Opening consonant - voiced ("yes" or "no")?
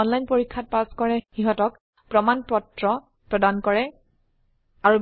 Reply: yes